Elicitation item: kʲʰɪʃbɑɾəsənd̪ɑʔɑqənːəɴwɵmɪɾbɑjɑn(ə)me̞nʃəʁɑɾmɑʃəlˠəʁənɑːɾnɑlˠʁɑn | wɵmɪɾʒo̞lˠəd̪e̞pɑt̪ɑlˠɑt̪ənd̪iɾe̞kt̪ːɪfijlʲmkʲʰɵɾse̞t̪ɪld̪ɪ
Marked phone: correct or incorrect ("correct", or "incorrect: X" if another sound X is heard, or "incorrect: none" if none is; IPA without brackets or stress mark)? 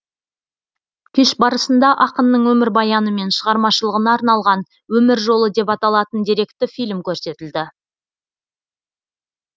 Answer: correct